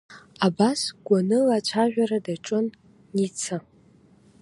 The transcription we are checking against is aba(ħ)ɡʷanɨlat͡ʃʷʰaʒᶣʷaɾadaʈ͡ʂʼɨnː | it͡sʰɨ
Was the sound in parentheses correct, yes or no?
no